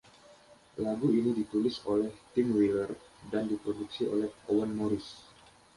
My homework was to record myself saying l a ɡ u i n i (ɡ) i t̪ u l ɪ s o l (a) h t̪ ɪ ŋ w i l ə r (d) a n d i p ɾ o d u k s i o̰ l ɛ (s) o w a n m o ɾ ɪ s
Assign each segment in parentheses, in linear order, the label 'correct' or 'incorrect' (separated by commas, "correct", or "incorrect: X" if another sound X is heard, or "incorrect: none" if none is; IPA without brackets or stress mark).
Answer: incorrect: d, incorrect: ɛ, correct, incorrect: h